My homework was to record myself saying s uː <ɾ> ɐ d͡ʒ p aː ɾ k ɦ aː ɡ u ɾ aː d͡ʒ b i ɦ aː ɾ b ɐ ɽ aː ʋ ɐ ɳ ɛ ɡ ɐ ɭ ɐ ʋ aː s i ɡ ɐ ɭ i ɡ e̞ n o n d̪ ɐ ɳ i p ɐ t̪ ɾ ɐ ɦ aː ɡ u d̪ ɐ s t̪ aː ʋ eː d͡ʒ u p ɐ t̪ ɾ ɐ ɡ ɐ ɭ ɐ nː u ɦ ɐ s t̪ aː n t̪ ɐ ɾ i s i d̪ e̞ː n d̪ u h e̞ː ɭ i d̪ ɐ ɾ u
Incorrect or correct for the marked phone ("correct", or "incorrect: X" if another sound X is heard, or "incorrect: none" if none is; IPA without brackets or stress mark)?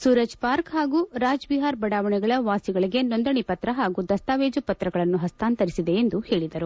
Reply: correct